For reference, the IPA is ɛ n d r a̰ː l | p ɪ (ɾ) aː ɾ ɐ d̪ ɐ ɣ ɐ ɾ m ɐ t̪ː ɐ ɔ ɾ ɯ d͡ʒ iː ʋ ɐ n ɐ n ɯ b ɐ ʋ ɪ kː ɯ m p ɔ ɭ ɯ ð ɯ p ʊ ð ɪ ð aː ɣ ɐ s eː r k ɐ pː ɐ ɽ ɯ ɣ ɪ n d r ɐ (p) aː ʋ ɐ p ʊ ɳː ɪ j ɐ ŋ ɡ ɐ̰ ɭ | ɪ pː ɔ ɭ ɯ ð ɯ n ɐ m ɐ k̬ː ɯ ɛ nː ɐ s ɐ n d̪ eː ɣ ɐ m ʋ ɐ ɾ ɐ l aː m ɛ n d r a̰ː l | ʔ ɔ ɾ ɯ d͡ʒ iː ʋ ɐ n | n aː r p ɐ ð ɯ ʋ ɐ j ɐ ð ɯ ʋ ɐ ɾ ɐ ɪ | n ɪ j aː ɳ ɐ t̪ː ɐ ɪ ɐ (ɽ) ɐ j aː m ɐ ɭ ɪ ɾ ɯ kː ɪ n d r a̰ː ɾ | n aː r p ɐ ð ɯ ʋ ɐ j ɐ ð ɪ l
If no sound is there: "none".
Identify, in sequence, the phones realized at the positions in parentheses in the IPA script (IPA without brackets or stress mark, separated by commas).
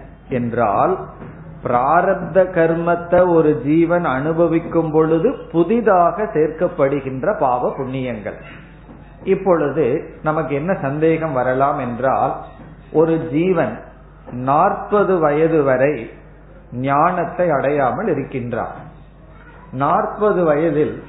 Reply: ɾ, p, ɽ